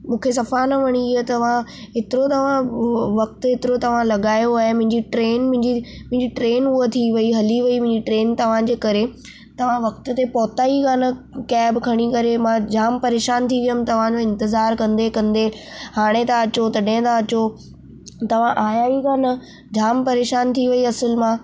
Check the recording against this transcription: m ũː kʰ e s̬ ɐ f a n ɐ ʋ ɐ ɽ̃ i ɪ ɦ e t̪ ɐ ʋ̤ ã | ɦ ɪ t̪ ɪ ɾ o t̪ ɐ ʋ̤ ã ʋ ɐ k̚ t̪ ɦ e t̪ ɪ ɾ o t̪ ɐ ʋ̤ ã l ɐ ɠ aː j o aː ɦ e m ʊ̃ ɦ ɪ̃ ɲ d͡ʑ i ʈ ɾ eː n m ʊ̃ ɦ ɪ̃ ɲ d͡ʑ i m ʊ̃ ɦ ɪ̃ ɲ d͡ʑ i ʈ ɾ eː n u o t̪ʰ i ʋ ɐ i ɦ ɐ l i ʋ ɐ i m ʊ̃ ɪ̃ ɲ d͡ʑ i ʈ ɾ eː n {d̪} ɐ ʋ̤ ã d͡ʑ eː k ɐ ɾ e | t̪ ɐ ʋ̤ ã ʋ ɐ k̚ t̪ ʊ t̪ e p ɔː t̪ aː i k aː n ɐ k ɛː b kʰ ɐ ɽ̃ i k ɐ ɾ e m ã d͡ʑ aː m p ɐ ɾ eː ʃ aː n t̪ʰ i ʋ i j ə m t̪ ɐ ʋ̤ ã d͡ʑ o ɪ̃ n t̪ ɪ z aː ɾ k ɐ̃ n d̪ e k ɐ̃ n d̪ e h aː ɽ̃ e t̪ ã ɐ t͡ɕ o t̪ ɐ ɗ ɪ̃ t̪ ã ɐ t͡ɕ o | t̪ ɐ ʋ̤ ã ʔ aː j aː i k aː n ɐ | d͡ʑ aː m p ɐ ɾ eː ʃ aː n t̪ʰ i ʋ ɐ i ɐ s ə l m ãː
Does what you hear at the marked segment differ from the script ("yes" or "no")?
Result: yes